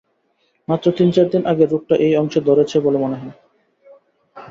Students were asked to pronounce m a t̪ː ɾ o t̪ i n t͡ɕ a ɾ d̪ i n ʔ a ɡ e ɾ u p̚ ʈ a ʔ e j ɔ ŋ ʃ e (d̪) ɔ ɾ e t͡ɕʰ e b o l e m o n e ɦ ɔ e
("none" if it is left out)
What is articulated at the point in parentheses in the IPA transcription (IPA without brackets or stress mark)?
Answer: d̪